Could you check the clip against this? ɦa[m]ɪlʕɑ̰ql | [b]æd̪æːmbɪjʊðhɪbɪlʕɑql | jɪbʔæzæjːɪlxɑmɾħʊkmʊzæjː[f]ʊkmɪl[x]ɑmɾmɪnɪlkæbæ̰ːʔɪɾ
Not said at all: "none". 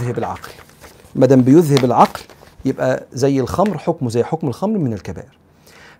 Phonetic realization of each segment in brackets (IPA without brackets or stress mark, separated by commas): b, m, ħ, x